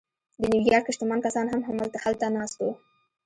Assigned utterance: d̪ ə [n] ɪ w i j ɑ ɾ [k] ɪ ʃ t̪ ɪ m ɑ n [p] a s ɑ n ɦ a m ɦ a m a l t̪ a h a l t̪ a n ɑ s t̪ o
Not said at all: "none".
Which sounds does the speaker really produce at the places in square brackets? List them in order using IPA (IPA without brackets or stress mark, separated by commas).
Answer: n, k, k